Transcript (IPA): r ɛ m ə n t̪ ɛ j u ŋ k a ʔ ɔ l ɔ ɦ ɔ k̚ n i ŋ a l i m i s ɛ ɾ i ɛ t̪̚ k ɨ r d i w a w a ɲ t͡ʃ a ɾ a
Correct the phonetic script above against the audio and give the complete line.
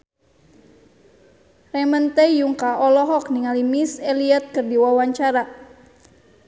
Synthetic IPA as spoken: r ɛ m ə n t̪ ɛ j u ŋ k a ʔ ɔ l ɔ ɦ ɔ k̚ n i ŋ a l i m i s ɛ l i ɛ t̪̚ k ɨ r d i w a w a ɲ t͡ʃ a ɾ a